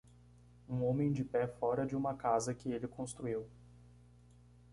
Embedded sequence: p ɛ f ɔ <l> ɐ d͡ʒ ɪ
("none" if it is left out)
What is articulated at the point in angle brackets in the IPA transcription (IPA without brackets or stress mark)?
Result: ɾ